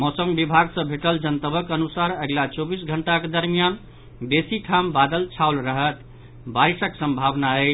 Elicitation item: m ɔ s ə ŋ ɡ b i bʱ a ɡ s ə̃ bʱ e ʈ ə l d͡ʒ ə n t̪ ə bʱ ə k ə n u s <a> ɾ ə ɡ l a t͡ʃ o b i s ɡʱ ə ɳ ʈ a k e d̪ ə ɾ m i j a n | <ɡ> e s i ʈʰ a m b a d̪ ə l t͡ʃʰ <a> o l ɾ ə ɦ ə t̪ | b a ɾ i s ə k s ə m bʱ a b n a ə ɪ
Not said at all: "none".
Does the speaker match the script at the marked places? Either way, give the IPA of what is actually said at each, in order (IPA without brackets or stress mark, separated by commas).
a, b, a